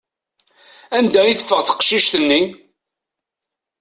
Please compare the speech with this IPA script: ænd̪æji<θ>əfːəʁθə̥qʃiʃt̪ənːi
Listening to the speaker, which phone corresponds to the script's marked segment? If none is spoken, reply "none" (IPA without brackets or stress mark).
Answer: θ